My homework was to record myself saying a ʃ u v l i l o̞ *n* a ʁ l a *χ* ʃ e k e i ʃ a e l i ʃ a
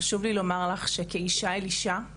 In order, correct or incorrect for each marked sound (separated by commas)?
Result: incorrect, correct